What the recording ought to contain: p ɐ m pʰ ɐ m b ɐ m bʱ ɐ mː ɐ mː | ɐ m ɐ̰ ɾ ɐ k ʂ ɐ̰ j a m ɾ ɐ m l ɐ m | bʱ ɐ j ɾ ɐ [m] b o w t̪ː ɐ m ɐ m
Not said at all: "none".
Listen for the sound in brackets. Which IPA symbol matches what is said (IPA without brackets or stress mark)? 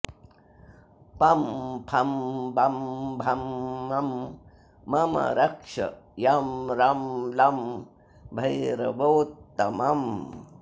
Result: none